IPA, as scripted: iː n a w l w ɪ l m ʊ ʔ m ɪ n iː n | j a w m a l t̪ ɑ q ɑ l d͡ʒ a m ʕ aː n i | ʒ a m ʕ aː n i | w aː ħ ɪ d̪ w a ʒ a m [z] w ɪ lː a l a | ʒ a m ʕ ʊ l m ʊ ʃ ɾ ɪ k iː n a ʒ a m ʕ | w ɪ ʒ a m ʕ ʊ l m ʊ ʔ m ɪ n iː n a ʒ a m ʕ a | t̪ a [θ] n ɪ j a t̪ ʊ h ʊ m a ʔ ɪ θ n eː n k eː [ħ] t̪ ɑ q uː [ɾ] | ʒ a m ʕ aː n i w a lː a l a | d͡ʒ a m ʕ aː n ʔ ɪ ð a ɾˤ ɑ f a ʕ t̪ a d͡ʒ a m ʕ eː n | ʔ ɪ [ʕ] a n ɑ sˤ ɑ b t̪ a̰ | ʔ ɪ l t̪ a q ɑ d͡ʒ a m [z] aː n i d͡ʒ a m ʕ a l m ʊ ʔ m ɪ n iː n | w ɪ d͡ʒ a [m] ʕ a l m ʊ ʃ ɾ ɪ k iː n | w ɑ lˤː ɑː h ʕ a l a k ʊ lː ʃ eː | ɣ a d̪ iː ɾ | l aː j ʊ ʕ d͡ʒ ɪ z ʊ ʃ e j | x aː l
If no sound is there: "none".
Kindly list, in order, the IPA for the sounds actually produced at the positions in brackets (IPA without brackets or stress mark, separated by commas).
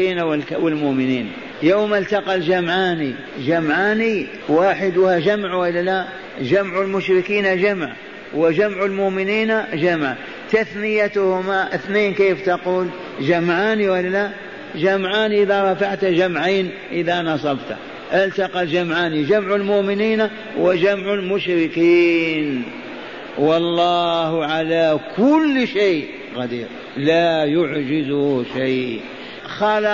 ʕ, θ, f, l, ð, ʕ, m